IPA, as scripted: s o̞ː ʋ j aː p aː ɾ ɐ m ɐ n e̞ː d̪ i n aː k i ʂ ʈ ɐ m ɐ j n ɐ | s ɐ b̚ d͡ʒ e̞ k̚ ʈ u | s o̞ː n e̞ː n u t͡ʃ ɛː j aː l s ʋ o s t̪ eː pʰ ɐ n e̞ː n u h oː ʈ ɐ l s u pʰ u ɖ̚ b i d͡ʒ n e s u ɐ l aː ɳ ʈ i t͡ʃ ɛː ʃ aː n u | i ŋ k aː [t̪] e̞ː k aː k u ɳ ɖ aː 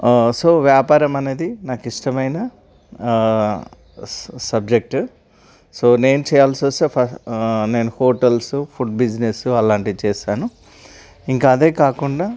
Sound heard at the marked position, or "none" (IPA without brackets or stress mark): d̪